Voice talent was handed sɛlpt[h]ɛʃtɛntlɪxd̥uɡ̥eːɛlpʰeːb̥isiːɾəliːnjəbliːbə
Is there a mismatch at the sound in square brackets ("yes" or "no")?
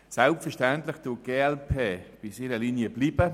yes